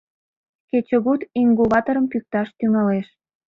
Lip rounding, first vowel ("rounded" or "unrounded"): unrounded